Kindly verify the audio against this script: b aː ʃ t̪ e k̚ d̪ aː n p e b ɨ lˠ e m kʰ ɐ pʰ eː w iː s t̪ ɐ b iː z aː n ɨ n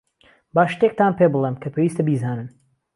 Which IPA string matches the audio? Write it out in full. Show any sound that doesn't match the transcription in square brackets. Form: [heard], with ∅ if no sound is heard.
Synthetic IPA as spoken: b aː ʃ t̪ e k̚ [t̪] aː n p e b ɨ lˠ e m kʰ ɐ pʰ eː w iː s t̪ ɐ b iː z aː n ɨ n